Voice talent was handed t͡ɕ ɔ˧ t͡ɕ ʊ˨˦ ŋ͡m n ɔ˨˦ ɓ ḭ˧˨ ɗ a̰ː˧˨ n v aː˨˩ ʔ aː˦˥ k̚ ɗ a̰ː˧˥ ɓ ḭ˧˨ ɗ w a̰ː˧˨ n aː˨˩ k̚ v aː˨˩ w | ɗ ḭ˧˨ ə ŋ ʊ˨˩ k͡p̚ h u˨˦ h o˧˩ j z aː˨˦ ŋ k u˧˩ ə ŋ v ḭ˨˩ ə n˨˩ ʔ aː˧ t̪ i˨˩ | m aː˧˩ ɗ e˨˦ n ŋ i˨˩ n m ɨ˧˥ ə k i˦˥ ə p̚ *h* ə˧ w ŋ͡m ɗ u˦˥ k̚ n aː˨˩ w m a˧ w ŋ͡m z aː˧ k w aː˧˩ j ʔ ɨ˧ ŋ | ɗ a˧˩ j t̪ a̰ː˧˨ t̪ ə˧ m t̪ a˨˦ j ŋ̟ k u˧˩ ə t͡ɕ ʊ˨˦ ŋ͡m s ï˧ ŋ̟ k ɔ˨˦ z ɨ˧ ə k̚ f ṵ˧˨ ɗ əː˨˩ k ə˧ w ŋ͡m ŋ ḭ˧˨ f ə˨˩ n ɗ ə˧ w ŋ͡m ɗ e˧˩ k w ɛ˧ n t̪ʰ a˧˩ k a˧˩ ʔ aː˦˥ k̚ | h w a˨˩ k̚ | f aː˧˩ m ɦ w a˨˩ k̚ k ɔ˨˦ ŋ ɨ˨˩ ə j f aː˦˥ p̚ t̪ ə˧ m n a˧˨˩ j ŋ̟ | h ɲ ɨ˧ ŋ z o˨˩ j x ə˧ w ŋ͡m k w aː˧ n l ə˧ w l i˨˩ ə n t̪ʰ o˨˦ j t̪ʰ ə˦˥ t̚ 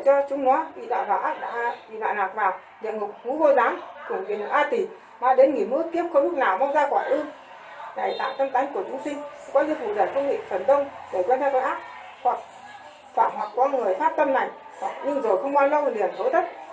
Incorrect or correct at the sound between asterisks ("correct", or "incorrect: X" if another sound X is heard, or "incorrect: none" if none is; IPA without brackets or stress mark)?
incorrect: x